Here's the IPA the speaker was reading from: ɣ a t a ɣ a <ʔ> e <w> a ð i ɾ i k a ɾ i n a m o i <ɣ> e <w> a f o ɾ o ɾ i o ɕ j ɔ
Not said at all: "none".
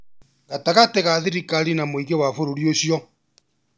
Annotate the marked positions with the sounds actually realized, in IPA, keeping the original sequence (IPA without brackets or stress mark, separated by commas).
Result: t, ɣ, ɣ, w